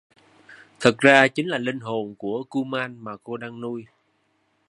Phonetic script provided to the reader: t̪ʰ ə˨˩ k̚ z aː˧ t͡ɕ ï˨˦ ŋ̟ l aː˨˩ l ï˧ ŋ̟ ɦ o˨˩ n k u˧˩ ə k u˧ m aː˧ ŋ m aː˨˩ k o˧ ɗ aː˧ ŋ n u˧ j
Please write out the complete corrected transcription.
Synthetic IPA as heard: t̪ʰ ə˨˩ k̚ z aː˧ t͡ɕ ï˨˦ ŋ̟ l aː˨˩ l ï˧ ŋ̟ ɦ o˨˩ n k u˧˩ ə k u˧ m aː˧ n m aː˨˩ k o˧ ɗ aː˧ ŋ n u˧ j

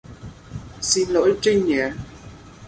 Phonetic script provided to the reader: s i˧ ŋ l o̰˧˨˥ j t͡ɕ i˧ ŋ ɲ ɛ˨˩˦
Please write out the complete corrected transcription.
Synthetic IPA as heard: s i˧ n l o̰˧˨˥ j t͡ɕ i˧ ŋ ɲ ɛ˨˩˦

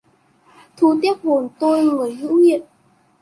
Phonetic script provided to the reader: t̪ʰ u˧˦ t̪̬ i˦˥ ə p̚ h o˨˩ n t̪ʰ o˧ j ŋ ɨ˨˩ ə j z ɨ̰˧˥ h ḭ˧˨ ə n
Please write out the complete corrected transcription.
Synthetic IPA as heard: t̪ʰ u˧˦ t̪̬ i˦˥ ə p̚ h o˨˩ n t̪ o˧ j ŋ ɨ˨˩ ə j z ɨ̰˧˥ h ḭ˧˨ ə n

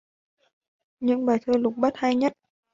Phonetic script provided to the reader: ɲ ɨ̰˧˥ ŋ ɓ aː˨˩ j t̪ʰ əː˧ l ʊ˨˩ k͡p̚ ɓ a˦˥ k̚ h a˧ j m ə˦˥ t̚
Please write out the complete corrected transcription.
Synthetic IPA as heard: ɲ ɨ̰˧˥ ŋ ɓ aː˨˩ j t̪ʰ əː˧ l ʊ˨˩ k͡p̚ ɓ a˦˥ t̚ h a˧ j ɲ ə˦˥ t̚

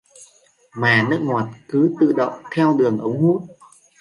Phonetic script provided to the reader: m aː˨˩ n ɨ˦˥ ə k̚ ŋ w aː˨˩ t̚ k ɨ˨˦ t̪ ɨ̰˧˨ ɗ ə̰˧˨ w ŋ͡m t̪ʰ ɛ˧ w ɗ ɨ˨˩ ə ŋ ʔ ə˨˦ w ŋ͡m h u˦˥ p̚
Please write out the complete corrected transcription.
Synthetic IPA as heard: m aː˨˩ n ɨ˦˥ ə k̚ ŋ w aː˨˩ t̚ k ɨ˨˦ t̪ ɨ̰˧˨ ɗ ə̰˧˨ w ŋ͡m t̪ʰ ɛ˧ w ɗ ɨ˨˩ ə ŋ ʔ ə˨˦ w ŋ͡m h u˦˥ t̚

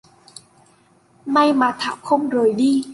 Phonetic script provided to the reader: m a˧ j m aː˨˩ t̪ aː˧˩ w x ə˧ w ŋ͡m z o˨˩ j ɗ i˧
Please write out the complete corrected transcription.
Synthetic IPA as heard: m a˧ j m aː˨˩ t̪ʰ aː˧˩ w x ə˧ w ŋ͡m z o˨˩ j ɗ i˧

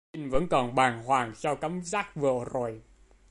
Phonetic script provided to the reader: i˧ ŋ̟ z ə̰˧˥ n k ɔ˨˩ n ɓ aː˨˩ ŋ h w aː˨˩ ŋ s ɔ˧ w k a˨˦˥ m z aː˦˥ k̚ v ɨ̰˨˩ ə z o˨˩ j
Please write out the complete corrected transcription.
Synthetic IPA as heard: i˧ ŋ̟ v ə̰˧˥ n k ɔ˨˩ n ɓ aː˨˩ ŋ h w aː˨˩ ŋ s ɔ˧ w k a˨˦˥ m z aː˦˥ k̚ v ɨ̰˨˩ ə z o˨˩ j

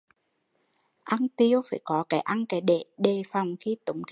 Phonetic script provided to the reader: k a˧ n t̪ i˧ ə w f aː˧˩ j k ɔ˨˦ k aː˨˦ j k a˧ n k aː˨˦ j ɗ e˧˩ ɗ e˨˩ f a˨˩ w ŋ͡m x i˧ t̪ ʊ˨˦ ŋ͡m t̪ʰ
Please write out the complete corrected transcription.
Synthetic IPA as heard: ʔ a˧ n t̪ i˧ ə w f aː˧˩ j k ɔ˨˦ k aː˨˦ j ʔ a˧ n k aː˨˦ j ɗ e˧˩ ɗ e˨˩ f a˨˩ w ŋ͡m x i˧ t̪ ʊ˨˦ ŋ͡m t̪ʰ

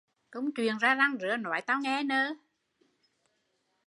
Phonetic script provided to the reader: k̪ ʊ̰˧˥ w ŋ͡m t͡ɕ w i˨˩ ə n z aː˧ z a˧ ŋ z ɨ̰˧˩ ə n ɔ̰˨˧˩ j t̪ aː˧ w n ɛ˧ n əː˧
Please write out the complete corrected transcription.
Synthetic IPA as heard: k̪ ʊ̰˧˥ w ŋ͡m t͡ɕ w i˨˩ ə n z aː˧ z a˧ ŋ z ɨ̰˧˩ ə n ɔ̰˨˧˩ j t̪ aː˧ w ŋ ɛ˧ n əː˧

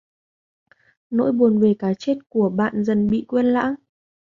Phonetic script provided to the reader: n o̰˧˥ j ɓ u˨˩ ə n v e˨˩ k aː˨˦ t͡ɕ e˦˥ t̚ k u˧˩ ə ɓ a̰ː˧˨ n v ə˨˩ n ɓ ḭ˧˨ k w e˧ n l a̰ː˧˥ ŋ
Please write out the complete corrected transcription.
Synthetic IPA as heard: n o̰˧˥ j ɓ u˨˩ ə n v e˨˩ k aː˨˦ t͡ɕ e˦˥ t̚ k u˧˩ ə ɓ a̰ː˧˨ n z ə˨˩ n ɓ ḭ˧˨ k w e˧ n l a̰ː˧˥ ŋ

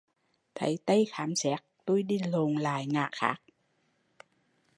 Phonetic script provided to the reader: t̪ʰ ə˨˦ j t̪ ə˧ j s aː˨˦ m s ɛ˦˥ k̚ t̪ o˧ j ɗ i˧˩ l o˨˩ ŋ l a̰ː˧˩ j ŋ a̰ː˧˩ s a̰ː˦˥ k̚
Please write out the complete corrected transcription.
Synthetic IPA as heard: t̪ʰ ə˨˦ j t̪ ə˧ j x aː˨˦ m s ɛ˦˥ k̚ t̪ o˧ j ɗ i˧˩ l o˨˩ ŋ l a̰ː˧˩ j ŋ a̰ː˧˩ x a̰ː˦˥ k̚

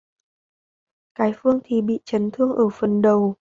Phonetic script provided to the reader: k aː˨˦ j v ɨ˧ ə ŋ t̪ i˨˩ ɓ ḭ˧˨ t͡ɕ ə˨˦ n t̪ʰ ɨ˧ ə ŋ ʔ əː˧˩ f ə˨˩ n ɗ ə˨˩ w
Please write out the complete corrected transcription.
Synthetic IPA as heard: k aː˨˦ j f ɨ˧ ə ŋ t̪ʰ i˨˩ ɓ ḭ˧˨ t͡ɕ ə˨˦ n t̪ʰ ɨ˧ ə ŋ ʔ əː˧˩ f ə˨˩ n ɗ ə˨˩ w

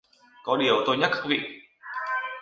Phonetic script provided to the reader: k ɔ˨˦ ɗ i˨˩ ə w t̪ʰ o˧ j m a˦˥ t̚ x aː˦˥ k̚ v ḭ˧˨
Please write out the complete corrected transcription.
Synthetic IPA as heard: k ɔ˨˦ ɗ i˨˩ ə w t̪ o˧ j ɲ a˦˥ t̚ k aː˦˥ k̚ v ḭ˧˨

